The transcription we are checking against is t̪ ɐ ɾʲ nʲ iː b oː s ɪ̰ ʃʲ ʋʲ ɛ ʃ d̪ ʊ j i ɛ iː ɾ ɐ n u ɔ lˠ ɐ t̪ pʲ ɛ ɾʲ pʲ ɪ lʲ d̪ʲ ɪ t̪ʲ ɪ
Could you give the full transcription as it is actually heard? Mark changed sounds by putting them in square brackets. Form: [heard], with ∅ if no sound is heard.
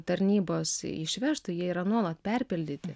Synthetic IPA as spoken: t̪ ɐ ɾʲ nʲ iː b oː s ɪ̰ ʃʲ ʋʲ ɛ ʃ [t̪] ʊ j i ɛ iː ɾ ɐ n u ɔ lˠ ɐ t̪ pʲ ɛ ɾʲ pʲ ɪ lʲ d̪ʲ ɪ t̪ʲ ɪ